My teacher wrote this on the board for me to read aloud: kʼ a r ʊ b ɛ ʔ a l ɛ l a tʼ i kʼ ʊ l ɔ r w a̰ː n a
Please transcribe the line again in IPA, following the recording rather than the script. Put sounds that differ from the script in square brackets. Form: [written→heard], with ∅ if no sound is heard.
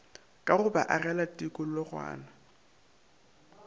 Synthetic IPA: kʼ a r ʊ b [ɛ→a] ʔ a [l→r] ɛ l a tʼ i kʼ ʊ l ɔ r w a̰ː n a